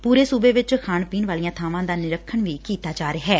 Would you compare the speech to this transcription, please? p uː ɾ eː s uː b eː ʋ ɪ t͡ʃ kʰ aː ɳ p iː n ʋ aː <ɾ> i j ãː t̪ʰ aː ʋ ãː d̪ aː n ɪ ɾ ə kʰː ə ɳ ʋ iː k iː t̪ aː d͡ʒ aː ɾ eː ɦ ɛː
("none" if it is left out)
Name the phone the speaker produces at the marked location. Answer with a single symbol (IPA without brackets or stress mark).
l